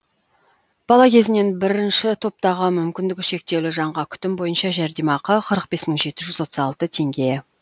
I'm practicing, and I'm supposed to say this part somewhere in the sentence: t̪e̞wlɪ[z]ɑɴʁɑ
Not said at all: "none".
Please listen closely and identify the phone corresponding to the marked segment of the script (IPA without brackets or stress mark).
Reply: ʒ